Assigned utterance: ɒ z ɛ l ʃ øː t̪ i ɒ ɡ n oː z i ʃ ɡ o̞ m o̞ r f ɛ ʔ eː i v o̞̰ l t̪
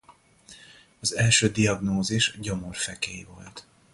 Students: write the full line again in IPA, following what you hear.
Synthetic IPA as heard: ɒ z ɛ l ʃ øː d̪ i ɒ ɡ n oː z i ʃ ɟ o̞ m o̞ r f ɛ k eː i v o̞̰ l t̪